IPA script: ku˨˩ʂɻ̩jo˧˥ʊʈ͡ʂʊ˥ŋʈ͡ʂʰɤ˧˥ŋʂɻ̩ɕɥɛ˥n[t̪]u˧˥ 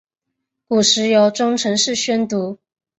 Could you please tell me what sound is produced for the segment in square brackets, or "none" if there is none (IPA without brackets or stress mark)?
t̪